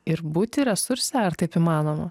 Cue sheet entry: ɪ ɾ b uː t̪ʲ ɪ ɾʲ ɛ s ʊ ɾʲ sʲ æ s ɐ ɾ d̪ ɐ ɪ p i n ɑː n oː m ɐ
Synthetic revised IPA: ɪ ɾ b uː t̪ʲ ɪ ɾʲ ɛ s ʊ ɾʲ sʲ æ ɐ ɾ t̪ ɐ ɪ p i m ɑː n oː m ɐ